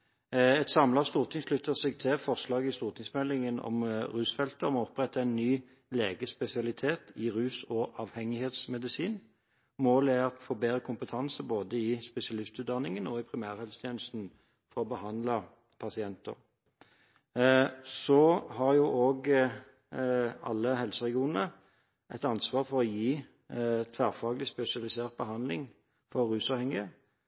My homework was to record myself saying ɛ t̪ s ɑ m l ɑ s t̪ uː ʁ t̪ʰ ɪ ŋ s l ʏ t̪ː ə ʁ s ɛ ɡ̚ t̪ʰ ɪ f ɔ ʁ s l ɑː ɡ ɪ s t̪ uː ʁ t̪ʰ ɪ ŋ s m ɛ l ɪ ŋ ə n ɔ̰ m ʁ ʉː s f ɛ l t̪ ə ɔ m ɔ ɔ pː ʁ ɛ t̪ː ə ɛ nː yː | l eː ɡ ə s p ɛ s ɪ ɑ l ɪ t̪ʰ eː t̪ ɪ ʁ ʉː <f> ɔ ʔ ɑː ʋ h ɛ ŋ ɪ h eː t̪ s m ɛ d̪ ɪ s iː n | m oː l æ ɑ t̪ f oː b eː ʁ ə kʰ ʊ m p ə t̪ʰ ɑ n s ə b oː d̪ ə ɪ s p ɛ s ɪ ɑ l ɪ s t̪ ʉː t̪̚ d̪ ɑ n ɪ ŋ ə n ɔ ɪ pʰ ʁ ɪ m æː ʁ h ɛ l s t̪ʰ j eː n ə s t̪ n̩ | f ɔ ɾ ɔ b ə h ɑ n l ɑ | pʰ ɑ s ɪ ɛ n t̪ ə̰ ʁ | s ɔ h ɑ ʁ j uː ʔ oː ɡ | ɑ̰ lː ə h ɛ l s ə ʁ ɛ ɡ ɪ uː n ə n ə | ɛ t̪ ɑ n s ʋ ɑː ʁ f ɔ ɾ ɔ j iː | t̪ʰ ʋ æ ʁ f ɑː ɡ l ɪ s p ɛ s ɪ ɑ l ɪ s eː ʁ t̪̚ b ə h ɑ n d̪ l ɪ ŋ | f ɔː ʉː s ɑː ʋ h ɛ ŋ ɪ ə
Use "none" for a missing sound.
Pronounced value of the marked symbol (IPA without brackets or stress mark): s